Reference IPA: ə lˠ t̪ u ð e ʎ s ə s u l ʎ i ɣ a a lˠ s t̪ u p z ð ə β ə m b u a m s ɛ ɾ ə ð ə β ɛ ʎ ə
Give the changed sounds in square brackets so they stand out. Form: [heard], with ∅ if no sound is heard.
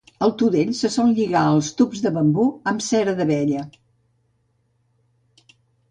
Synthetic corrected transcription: ə lˠ t̪ u ð e ʎ s ə s [ɔ] l ʎ i ɣ a [ə] lˠ s t̪ u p z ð ə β ə m b u [ə] m s ɛ ɾ ə ð ə β ɛ ʎ ə